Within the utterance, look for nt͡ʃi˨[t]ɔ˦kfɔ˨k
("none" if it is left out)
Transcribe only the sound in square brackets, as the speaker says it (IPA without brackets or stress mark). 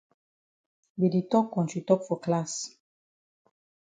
t